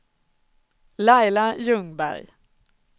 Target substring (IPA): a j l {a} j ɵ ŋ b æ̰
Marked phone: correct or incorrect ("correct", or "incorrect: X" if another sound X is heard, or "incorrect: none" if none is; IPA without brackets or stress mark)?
correct